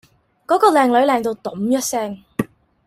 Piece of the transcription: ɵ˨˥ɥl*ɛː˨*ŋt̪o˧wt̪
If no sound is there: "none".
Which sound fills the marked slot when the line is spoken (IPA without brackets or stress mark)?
ɛː˨